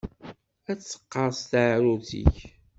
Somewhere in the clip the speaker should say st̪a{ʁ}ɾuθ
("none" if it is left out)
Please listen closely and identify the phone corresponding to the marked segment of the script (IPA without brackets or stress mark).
ʕ